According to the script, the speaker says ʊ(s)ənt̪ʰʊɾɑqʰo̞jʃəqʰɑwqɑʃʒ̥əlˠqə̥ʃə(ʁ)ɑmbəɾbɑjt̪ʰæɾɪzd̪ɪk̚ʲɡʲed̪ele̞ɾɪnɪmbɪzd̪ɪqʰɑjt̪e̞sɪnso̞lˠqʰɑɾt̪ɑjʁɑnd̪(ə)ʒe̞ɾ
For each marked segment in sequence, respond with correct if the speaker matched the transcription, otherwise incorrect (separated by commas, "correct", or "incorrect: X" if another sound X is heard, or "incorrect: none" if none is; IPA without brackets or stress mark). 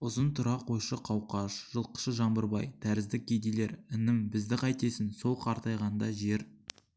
incorrect: z, incorrect: ʒ, incorrect: ɑ